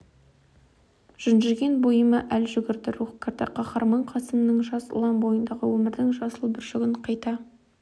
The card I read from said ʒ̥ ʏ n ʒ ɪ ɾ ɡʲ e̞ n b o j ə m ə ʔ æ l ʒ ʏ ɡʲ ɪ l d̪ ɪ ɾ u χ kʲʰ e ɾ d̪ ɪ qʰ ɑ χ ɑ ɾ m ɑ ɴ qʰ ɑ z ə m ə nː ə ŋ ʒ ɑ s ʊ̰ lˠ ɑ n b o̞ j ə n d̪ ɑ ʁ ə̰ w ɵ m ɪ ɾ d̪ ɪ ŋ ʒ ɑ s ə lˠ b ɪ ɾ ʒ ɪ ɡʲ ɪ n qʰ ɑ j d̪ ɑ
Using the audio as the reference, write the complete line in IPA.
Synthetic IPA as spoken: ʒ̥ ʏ n ʒ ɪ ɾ ɡʲ e̞ n b o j ə m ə ʔ æ l ʒ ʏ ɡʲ ɪ ɾ d̪ ɪ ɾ u χ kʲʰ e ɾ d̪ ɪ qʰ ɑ χ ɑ ɾ m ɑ ɴ qʰ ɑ s ə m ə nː ə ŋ ʒ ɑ s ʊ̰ lˠ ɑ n b o̞ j ə n d̪ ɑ ʁ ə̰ w ɵ m ɪ ɾ d̪ ɪ ŋ ʒ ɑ s ə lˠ b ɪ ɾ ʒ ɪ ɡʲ ɪ ɴ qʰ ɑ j t̪ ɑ